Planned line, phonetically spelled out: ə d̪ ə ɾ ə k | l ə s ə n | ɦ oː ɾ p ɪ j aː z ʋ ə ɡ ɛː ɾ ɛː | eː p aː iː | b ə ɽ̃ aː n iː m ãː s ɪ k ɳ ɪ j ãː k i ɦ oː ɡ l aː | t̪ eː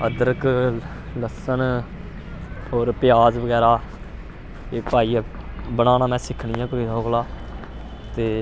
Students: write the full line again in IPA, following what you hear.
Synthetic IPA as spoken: ə d̪ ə ɾ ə k | l ə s ə n | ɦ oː ɾ p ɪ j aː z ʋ ə ɡ ɛː ɾ aː | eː p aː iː | b ə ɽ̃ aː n aː m ɛ̃ː s ɪ kʰ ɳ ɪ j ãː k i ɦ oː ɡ l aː | t̪ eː